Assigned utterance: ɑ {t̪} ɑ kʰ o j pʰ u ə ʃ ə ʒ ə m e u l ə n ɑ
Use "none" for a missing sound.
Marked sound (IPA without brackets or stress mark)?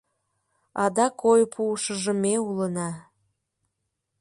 d̪